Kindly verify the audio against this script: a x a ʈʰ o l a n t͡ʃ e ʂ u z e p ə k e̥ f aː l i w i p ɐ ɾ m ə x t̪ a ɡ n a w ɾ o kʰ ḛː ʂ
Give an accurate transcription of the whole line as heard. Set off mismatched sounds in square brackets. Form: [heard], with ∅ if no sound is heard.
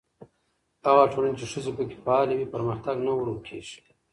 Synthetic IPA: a [ɣ] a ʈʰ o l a n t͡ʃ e ʂ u z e p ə k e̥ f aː l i w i p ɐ ɾ m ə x t̪ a ɡ n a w ɾ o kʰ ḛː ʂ